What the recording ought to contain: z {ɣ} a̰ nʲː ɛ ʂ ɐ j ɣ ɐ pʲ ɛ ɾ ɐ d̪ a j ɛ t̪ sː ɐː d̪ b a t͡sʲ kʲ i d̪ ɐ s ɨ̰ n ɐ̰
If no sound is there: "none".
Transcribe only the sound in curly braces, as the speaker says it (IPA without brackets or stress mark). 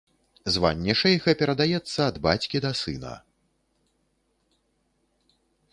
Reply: v